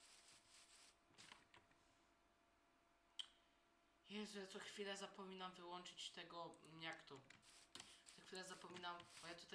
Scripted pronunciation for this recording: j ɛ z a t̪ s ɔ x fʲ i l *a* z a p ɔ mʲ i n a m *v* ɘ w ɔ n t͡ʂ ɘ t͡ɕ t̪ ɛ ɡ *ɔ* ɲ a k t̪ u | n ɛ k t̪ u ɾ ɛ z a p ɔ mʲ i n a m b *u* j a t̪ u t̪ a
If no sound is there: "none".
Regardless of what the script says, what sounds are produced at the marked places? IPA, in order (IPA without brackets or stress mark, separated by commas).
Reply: ɛ, v, ɔ, ɔ